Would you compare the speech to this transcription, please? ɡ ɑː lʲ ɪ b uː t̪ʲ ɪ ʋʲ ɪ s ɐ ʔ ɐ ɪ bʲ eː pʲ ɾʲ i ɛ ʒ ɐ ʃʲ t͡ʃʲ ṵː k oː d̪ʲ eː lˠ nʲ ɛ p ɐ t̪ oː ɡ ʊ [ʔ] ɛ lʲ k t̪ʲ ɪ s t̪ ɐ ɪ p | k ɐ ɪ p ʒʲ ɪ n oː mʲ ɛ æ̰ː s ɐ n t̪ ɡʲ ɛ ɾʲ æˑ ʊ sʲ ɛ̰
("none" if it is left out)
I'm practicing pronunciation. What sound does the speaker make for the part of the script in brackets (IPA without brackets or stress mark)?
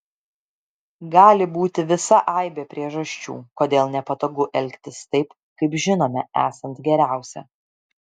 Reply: ʔ